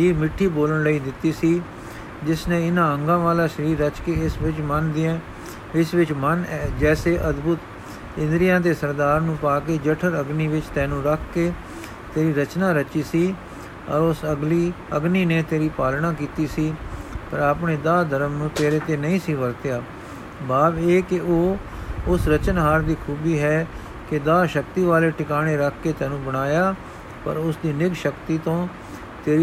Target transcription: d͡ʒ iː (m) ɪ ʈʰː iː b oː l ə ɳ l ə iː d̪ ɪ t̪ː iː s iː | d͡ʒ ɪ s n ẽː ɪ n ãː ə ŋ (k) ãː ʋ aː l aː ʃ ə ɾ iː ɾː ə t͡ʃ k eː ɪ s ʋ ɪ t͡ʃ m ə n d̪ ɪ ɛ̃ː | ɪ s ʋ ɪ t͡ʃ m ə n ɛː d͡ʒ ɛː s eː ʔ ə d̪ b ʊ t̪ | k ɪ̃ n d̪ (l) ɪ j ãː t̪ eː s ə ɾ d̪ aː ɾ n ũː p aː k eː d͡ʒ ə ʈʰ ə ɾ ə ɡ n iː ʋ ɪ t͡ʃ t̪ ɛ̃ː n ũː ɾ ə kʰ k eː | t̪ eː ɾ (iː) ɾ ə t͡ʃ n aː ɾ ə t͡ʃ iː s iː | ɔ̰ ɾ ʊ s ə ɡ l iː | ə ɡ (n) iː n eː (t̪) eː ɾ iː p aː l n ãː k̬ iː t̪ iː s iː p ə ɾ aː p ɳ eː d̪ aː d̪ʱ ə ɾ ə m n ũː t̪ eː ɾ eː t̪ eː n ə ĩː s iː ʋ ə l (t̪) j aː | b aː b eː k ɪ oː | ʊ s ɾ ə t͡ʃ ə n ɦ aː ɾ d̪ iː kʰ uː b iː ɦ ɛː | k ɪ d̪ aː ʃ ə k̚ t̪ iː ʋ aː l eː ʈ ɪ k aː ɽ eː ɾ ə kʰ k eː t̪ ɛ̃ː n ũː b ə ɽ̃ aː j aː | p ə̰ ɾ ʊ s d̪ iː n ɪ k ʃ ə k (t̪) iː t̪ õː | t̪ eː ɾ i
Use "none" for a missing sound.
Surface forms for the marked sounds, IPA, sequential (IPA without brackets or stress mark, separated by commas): m, ɡ, ɾ, iː, n, t̪, t̪, t̪